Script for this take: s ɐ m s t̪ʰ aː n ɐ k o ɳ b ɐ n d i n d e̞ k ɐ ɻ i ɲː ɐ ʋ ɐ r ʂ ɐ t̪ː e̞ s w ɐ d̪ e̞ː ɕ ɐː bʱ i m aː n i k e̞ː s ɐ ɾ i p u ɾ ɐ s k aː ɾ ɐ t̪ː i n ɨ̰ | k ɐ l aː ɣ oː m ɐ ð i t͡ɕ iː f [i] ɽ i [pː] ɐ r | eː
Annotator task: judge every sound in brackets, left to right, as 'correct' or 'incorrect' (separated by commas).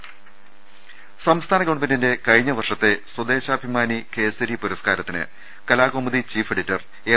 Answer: incorrect, incorrect